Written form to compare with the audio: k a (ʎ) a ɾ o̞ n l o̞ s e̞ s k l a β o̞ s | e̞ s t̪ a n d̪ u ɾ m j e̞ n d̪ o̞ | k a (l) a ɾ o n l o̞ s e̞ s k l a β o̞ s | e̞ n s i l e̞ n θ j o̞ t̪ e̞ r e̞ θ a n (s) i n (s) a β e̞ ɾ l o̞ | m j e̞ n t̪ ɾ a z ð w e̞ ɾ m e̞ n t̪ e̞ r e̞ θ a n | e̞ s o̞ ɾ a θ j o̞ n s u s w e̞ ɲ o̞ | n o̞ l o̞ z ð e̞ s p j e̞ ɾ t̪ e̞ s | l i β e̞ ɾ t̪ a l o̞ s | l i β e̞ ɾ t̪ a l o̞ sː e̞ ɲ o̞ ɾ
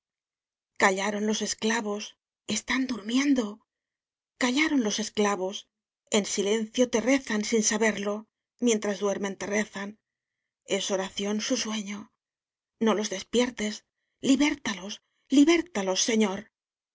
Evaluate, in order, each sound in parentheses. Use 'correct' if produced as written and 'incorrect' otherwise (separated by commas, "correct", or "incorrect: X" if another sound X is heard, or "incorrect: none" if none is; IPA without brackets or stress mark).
correct, incorrect: ʎ, correct, correct